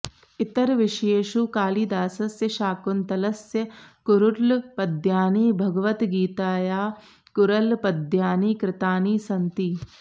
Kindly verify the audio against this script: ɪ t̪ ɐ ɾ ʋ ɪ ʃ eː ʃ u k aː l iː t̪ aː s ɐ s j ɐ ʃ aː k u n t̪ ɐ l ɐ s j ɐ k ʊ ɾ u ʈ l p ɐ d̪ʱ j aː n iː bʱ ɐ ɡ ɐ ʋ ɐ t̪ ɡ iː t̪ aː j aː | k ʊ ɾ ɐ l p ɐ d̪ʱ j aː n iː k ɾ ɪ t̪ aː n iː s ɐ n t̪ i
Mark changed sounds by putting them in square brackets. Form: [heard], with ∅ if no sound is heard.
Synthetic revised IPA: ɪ t̪ ɐ ɾ ʋ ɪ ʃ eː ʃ u k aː l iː [d̪] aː s ɐ s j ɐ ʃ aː k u n t̪ ɐ l ɐ s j ɐ k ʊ ɾ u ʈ l p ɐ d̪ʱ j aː n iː bʱ ɐ ɡ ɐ ʋ ɐ t̪ ɡ iː t̪ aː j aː | k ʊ ɾ ɐ l p ɐ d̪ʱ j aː n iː k ɾ ɪ t̪ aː n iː s ɐ n t̪ i